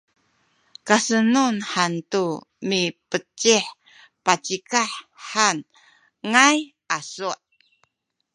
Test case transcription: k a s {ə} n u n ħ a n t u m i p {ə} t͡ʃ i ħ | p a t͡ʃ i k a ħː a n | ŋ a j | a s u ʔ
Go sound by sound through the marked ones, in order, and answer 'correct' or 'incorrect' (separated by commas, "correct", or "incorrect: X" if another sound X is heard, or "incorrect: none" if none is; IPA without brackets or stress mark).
correct, correct